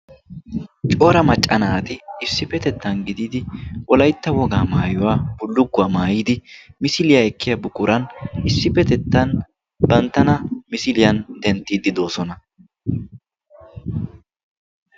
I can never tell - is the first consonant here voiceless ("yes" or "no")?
yes